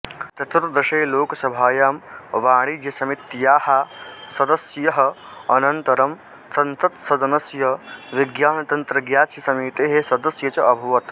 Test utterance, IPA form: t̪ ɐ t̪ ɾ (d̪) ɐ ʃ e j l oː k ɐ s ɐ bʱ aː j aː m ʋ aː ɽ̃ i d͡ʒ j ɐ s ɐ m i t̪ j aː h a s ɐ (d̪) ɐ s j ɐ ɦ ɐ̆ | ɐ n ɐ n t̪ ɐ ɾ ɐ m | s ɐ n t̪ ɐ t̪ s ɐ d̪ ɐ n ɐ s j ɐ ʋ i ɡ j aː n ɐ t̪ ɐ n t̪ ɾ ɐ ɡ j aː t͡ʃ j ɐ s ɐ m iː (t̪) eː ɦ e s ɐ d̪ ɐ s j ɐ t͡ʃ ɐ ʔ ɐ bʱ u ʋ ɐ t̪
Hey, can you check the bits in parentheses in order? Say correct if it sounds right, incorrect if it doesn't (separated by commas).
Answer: correct, correct, correct